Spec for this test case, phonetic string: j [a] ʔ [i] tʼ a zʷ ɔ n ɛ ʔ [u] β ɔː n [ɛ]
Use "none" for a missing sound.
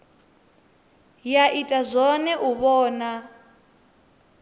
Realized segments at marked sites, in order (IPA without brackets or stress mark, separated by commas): a, i, u, a